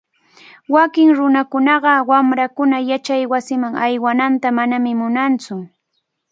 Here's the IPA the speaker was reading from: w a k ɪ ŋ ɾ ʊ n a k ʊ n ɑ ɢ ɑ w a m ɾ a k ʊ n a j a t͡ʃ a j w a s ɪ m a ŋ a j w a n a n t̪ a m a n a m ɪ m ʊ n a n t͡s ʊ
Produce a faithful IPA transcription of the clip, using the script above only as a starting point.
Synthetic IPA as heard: w a k ɪ ŋ ɾ ʊ n a k ʊ n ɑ ɢ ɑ w a m ɾ a k ʊ n a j a t͡ʃ a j w a s ɪ m a ŋ a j w a n a n t̪ a m a n a m ɪ m ʊ n a n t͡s ʊ